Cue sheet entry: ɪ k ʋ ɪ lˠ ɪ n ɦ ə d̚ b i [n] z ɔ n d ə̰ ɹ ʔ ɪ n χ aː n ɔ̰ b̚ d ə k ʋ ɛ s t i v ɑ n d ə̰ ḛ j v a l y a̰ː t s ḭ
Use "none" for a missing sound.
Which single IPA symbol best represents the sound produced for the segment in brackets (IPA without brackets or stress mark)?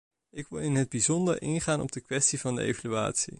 none